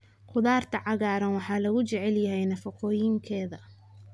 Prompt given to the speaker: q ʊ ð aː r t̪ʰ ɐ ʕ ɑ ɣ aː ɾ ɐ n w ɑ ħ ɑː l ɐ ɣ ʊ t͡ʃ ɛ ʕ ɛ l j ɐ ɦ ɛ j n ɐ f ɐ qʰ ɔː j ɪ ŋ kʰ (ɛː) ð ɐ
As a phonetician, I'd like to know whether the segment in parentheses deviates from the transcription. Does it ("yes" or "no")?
no